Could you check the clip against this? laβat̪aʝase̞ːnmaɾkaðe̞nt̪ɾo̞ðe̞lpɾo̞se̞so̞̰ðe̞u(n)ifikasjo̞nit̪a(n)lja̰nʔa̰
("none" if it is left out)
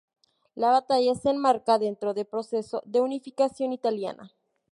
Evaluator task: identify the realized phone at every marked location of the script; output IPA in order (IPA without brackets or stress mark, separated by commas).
n, none